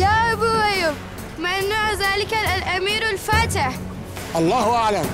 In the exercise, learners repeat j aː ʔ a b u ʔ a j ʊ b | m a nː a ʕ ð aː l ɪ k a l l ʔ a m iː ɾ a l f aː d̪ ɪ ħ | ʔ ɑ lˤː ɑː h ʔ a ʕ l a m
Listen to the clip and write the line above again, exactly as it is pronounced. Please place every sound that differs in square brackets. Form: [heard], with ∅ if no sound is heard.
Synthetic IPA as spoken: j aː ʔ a b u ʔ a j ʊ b | m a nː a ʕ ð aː l ɪ k a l l ʔ a m iː ɾ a l f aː [t̪] ɪ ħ | ʔ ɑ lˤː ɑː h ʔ a ʕ l a m

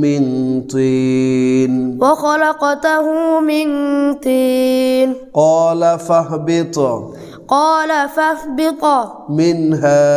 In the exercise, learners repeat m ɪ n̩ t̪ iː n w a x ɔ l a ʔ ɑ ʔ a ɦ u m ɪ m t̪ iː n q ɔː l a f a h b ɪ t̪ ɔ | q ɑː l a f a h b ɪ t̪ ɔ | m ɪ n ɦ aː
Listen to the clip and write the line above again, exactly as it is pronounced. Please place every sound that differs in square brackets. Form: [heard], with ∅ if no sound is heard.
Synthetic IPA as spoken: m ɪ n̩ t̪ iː n w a x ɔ l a [q] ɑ [t] a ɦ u m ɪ [n] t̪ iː n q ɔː l a f a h b ɪ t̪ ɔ | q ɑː l a f a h b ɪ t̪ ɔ | m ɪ n ɦ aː

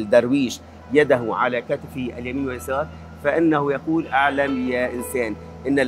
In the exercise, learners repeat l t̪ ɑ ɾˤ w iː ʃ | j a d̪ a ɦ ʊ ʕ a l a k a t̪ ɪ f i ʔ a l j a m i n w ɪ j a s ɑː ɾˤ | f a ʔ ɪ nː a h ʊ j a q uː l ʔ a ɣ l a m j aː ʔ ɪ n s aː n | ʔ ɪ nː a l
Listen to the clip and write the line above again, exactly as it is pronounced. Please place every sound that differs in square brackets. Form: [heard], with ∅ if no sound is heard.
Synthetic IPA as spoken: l [d̪] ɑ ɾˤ w iː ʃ | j a d̪ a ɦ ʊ ʕ a l a k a t̪ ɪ f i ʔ a l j a m [iː] n w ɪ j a s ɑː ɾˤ | f a ʔ ɪ nː a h ʊ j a q uː l ʔ a [ʕ] l a m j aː ʔ ɪ n s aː n | ʔ ɪ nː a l

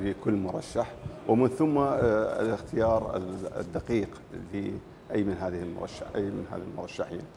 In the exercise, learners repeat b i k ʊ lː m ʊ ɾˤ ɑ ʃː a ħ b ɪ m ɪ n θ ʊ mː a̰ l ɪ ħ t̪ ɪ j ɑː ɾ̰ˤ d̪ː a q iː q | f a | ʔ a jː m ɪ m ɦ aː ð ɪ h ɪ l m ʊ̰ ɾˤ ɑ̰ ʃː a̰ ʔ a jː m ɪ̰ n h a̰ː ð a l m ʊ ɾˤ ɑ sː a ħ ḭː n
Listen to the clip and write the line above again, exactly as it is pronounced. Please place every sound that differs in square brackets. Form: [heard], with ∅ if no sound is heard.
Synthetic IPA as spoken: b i k ʊ lː m ʊ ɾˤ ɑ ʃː a ħ [w] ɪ m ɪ n θ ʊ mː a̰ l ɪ [x] t̪ ɪ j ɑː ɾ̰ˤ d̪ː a q iː q | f [i] | ʔ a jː m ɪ [n] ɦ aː ð ɪ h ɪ l m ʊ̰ ɾˤ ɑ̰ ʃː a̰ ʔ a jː m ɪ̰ n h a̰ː ð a l m ʊ ɾˤ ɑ [ʃː] a ħ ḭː n

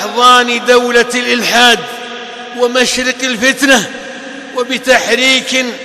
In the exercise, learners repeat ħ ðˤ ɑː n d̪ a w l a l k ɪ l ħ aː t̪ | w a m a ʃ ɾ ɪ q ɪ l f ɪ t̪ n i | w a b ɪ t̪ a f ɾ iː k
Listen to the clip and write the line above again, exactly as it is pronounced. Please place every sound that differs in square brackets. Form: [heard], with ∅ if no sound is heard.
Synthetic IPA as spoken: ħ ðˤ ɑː n d̪ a w l a l [ʔ] ɪ l ħ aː [d̪] | w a m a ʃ ɾ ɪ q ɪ l f ɪ t̪ n [a] | w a b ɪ t̪ a [ħ] ɾ iː k

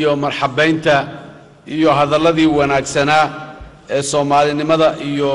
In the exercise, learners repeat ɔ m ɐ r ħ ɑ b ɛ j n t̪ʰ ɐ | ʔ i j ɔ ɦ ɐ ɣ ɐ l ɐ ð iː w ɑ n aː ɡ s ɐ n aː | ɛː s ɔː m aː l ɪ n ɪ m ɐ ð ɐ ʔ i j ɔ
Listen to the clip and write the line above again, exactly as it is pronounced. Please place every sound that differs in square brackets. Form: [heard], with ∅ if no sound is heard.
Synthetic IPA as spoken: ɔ m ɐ r ħ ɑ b ɛ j n t̪ʰ ɐ | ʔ i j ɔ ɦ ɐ [ð] ɐ l ɐ ð iː w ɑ n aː ɡ s ɐ n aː | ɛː s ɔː m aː l ɪ n ɪ m ɐ ð ɐ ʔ i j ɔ

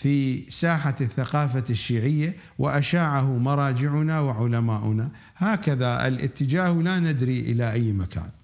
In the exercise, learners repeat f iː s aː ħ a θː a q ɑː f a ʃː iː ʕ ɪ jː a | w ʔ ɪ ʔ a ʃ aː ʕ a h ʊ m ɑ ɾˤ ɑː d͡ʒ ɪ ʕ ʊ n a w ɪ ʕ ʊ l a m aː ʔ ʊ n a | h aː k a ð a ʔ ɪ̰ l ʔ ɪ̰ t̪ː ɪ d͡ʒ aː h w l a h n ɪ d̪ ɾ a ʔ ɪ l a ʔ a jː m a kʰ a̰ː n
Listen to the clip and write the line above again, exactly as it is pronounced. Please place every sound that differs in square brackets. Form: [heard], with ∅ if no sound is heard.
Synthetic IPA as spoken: f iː s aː ħ a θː a q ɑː f a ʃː iː ʕ ɪ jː a | w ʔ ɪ ʔ a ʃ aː ʕ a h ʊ m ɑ ɾˤ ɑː d͡ʒ ɪ ʕ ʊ n a w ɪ ʕ ʊ l a m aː ʔ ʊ n a | h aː k a ð a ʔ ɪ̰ l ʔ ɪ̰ t̪ː ɪ d͡ʒ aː h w l a [∅] n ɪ d̪ ɾ [i] ʔ ɪ l a ʔ a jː m a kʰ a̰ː n

